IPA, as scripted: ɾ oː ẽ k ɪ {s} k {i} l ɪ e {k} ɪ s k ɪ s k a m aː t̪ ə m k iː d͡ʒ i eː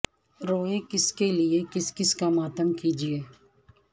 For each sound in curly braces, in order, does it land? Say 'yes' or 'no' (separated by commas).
yes, no, yes